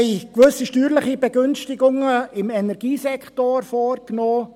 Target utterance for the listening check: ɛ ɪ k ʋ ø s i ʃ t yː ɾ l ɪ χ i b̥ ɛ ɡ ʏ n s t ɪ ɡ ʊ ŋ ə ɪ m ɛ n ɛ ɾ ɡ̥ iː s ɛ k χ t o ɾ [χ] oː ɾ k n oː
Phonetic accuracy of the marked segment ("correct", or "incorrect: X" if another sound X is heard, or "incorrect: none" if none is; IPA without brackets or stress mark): incorrect: f